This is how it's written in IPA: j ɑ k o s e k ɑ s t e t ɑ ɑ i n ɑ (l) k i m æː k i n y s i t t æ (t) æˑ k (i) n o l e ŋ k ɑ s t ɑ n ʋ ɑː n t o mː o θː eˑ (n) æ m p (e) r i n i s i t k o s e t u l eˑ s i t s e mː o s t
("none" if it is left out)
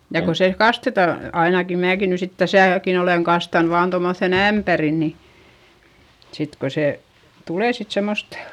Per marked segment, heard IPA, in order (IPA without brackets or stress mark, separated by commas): none, s, i, n, æ